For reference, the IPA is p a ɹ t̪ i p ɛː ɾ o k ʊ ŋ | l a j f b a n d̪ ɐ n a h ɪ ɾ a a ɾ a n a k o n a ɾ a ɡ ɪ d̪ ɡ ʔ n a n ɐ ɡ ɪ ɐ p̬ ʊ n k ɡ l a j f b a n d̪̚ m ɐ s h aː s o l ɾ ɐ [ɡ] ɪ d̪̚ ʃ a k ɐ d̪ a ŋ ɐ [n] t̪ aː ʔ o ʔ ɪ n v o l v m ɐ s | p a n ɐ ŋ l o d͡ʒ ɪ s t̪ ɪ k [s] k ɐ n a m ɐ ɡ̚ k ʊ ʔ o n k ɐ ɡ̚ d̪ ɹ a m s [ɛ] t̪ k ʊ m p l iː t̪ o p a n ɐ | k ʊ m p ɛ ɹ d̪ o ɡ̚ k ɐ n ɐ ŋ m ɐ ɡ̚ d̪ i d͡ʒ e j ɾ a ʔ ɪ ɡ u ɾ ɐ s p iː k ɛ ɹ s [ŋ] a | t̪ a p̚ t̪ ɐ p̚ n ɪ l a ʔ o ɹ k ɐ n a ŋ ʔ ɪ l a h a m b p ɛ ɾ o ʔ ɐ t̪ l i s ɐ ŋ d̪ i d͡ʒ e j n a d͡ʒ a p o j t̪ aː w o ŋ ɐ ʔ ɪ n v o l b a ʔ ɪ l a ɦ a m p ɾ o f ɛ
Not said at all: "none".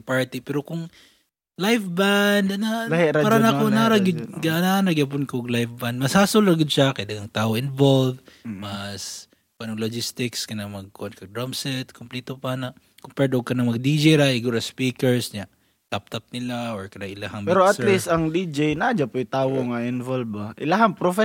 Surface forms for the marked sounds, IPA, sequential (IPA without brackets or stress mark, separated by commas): ɡ, ŋ, s, ɛ, ɲ